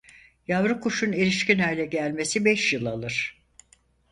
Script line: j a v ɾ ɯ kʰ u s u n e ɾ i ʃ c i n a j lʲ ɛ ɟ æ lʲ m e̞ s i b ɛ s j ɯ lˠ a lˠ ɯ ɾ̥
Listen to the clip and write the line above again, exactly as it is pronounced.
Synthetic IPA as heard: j a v ɾ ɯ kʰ u ʃ u n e ɾ i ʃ c i n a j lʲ ɛ ɟ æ lʲ m e̞ s i b ɛ ʃ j ɯ lˠ a lˠ ɯ ɾ̥